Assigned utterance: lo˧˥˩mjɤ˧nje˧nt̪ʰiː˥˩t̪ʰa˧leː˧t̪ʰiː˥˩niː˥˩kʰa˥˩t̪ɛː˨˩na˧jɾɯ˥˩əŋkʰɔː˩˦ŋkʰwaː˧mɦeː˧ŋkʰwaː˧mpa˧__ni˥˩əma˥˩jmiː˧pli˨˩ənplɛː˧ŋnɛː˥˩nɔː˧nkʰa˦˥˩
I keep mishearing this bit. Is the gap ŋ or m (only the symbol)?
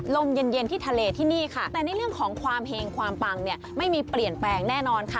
ŋ